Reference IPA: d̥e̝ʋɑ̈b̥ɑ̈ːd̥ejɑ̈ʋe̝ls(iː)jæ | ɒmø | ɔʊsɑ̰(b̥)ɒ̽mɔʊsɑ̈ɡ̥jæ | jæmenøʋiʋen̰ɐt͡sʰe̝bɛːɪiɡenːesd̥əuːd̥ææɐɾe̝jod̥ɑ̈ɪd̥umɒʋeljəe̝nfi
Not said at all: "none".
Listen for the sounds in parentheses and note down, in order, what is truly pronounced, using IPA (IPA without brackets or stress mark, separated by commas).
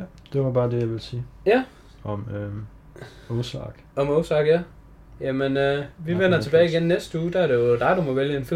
iː, ɡ̥